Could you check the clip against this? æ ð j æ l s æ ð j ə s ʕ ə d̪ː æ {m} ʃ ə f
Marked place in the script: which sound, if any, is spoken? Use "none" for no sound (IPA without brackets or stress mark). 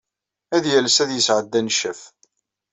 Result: n